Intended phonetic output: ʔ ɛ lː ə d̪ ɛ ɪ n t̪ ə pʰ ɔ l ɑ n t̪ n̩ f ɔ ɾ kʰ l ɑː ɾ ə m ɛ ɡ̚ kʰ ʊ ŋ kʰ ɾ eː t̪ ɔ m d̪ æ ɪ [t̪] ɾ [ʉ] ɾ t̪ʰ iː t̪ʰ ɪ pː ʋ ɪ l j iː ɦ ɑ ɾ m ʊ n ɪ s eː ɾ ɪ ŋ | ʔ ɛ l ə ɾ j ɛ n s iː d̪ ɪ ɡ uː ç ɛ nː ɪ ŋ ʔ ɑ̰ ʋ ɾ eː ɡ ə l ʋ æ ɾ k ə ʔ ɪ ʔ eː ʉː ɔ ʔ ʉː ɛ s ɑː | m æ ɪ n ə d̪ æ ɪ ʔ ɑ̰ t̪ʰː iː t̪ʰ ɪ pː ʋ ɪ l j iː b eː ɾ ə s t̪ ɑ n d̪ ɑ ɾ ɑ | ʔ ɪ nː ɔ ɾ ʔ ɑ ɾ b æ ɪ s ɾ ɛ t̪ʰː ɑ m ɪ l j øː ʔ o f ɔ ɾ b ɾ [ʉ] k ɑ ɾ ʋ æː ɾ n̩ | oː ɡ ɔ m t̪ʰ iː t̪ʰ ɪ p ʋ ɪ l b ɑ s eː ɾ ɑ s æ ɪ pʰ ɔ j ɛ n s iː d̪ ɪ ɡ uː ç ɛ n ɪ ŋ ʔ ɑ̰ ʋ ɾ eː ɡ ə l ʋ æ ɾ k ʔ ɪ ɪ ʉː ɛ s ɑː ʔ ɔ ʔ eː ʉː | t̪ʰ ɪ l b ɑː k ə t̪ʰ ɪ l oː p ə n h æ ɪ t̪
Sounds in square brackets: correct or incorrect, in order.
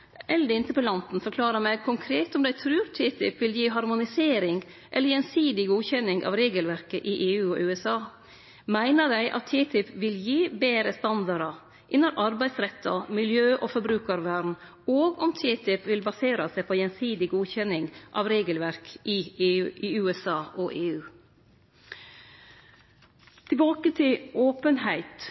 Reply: incorrect: t̪ʰ, incorrect: ʉː, incorrect: ʉː

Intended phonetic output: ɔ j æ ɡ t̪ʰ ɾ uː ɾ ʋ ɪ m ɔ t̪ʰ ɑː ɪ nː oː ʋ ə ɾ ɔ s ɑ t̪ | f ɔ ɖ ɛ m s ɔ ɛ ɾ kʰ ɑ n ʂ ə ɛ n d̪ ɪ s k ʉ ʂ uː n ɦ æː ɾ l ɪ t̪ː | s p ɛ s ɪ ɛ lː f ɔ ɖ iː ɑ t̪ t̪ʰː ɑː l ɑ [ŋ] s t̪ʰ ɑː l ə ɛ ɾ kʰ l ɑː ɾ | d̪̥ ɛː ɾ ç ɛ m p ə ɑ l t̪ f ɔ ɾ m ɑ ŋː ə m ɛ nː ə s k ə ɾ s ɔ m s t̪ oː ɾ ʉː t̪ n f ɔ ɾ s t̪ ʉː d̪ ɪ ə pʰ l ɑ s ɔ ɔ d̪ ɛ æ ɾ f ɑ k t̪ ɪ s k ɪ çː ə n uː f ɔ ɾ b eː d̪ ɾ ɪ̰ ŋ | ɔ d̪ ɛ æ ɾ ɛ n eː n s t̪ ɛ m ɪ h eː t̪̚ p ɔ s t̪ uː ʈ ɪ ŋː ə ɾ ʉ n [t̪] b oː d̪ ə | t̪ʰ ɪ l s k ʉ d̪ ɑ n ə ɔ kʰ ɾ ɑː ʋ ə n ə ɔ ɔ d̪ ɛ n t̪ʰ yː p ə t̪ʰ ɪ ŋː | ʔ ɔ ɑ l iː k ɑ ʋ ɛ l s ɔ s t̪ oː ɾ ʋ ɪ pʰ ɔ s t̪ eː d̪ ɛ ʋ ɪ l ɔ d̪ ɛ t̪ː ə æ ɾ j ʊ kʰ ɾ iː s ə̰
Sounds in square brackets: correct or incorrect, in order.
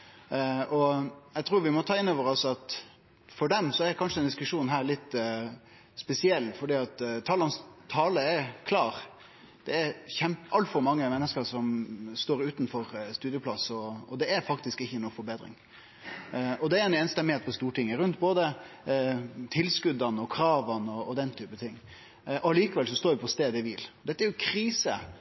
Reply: incorrect: n, correct

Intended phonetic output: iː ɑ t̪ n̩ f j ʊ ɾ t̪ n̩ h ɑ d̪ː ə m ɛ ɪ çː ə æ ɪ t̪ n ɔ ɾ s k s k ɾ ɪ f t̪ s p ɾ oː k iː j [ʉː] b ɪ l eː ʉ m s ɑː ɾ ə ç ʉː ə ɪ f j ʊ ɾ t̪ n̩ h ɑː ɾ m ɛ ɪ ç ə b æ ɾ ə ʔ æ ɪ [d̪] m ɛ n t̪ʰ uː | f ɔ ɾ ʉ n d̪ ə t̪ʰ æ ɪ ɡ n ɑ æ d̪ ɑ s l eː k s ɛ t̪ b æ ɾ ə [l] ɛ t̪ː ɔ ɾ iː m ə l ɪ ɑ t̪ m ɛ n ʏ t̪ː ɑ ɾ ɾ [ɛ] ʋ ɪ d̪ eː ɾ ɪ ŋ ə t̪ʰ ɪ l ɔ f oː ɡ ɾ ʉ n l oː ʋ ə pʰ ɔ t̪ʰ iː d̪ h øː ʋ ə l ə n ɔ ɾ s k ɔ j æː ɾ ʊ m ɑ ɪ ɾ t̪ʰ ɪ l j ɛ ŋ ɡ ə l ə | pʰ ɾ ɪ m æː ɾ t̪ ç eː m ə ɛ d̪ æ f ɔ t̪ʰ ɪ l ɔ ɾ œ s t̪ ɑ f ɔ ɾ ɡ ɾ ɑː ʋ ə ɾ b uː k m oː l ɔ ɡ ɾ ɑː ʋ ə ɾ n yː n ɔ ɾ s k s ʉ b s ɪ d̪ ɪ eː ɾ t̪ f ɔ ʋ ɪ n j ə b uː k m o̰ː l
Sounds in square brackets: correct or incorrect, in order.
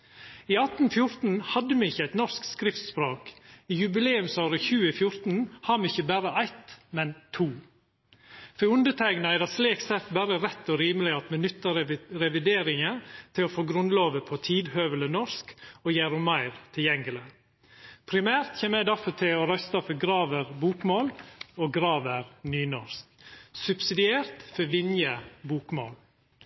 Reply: incorrect: ʉ, incorrect: t̪, incorrect: ɾ, correct

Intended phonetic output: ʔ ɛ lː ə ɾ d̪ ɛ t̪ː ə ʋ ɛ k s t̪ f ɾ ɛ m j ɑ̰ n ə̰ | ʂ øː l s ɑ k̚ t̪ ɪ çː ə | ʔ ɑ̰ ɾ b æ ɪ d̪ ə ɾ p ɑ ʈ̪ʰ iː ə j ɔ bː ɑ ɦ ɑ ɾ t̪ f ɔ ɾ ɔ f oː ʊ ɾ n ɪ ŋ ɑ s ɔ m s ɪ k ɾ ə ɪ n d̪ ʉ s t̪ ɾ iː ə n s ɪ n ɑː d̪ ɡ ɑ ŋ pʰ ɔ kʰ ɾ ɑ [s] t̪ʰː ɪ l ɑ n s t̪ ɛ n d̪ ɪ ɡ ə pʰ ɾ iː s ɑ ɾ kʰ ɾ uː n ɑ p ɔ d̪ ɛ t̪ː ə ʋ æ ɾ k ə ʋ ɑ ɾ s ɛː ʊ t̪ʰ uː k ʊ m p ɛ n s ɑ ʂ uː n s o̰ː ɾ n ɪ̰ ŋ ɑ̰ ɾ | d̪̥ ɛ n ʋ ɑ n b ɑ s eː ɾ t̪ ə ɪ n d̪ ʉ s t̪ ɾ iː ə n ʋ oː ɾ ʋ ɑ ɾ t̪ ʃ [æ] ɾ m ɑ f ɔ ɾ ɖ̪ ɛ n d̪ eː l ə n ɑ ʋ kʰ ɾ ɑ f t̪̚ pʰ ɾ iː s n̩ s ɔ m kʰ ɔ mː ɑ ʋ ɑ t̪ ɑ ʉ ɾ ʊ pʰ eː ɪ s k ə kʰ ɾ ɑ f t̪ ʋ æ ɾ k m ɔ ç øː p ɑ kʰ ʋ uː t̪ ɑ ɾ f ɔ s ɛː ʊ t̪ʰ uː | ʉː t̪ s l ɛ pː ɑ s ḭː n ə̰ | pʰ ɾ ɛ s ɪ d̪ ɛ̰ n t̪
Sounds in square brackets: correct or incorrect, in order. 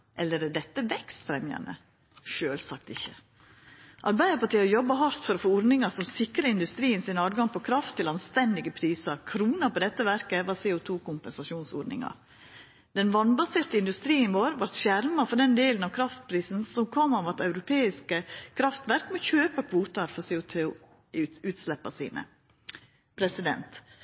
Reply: incorrect: f, correct

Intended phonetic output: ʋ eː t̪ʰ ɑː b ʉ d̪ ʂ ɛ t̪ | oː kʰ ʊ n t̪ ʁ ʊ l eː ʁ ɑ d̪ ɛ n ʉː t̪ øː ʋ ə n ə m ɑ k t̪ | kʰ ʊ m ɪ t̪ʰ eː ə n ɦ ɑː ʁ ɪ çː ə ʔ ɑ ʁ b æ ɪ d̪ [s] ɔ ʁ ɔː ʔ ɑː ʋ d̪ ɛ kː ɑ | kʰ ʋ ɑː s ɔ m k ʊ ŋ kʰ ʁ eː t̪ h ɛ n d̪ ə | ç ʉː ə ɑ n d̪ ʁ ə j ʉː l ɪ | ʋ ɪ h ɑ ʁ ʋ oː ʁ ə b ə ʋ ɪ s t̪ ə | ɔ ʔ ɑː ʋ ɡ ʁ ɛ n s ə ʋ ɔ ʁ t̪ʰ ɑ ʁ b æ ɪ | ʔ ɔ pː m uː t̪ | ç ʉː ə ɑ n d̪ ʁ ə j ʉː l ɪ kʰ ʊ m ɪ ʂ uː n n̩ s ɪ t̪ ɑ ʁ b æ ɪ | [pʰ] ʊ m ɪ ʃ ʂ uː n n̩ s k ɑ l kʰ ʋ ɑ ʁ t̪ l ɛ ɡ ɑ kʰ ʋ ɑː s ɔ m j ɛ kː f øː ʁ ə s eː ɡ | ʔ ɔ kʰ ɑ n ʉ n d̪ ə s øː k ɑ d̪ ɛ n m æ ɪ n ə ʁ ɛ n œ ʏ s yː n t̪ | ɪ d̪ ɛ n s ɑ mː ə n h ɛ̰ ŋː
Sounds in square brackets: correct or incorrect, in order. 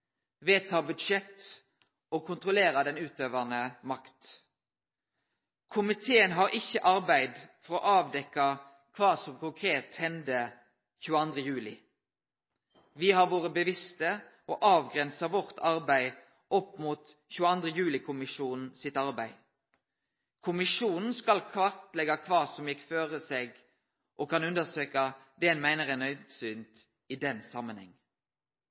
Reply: incorrect: f, incorrect: kʰ

